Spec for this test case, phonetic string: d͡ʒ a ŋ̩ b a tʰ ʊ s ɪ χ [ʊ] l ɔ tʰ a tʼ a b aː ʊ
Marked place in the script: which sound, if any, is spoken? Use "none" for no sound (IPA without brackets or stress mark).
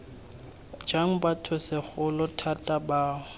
ʊ